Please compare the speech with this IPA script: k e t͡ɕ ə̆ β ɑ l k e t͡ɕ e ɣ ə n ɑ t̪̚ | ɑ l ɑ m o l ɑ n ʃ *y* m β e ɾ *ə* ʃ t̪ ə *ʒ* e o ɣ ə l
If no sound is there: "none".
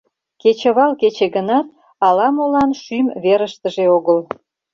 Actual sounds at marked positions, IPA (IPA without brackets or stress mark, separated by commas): y, ə, ʒ